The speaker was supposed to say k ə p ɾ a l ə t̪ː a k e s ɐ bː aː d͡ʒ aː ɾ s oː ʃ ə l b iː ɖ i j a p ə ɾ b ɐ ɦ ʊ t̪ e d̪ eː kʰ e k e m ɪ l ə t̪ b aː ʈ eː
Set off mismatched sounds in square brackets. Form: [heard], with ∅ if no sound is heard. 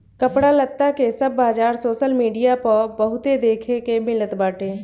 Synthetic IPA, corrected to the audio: k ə p [ɽ] a l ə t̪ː a k e s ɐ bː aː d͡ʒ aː ɾ s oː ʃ ə l [m] iː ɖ i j a p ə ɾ b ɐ ɦ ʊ t̪ e d̪ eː kʰ e k e m ɪ l ə t̪ b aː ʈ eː

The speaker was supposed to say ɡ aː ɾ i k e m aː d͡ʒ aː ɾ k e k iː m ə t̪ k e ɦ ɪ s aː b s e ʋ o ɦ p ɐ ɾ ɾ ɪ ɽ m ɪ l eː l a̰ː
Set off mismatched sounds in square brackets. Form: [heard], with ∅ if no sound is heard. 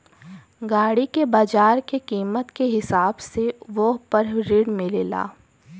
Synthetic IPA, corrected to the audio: ɡ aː [ɽ] i k e [b] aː d͡ʒ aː ɾ k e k iː m ə t̪ k e ɦ ɪ s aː b s e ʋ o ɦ p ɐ ɾ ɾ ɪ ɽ m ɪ l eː l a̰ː

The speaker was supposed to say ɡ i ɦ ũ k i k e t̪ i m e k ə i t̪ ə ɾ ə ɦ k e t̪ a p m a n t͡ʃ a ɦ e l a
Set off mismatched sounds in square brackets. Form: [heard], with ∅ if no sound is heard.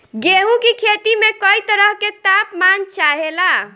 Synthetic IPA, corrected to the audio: ɡ [e] ɦ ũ k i [kʰ] e t̪ i m e k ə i t̪ ə ɾ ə ɦ k e t̪ a p m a n t͡ʃ a ɦ e l a

